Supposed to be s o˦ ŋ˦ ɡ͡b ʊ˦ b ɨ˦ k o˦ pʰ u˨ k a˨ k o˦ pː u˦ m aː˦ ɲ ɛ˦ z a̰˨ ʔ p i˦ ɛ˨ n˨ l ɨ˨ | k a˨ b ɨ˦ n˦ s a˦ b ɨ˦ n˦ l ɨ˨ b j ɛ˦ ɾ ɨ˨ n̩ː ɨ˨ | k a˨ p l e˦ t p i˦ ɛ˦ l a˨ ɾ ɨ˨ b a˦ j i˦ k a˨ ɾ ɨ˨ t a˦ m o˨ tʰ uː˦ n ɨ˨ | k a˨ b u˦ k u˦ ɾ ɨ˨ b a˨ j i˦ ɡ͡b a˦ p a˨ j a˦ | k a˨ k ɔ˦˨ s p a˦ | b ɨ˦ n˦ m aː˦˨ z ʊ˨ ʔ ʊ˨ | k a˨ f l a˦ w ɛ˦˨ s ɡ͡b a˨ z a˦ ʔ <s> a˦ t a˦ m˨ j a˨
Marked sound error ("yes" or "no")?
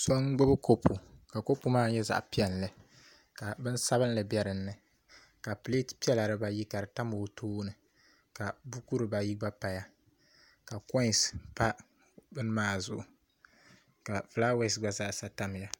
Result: no